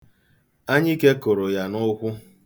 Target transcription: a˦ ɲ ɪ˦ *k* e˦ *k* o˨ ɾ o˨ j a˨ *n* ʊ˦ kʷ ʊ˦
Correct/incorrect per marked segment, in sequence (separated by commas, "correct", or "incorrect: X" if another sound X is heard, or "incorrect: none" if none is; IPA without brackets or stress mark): correct, correct, correct